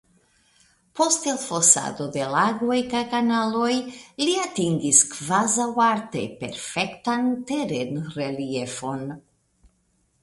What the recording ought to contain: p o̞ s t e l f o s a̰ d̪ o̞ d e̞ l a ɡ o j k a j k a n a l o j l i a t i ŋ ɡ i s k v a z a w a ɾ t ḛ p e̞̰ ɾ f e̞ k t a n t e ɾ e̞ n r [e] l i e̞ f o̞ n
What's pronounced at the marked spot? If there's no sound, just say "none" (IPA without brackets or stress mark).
e